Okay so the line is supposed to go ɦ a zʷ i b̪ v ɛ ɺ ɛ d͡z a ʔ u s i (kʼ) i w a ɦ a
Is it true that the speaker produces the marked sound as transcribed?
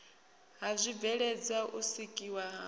yes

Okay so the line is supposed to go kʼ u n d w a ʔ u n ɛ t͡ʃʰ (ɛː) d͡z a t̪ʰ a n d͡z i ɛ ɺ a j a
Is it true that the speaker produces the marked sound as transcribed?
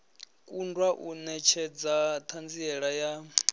no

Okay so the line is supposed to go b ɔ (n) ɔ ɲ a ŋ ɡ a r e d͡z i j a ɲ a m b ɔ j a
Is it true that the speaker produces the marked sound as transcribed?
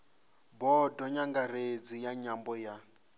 no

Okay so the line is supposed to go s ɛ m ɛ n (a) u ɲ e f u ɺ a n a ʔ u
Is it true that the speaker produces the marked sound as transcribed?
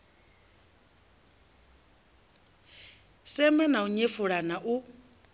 yes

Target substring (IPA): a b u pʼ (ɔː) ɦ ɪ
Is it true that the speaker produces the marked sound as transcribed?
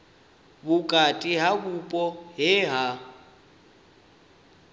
no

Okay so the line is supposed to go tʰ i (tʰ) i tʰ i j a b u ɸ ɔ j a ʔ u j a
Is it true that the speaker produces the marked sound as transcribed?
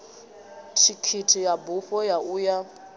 no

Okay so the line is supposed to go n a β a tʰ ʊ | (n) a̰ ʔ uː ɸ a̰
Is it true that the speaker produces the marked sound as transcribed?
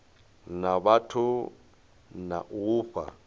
yes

